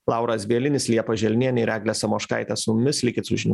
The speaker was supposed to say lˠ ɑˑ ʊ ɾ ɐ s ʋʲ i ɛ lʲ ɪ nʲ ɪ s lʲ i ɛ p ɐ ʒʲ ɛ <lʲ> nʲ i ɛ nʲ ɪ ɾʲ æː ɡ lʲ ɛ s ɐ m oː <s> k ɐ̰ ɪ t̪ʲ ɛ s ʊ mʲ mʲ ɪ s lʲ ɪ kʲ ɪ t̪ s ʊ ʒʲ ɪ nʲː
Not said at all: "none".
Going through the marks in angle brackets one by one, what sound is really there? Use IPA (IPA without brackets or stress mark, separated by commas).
lʲ, ʃ